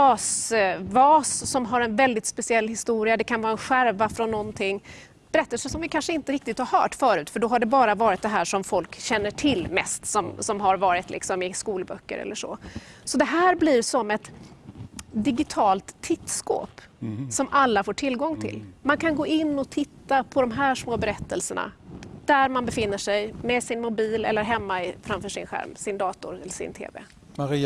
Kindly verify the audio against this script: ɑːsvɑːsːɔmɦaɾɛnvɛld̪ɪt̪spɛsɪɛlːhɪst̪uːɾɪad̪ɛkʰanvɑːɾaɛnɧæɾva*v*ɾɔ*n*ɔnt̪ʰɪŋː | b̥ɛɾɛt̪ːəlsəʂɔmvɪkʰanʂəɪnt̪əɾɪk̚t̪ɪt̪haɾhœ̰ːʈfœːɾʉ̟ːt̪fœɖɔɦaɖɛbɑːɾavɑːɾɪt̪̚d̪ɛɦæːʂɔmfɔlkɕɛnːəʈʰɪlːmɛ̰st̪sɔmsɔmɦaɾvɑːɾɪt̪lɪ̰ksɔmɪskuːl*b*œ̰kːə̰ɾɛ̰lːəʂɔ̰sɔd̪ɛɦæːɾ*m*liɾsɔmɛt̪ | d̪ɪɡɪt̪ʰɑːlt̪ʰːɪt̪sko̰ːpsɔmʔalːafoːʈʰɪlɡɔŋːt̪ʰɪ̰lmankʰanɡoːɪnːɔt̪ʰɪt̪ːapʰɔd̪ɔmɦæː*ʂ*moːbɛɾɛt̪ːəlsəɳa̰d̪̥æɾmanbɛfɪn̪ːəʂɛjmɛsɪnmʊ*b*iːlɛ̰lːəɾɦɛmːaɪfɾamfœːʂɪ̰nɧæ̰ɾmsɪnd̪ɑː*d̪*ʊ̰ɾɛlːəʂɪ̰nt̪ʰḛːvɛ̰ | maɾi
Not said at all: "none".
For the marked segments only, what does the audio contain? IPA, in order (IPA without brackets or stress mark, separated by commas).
f, nː, b, b, ʂ, b, t̪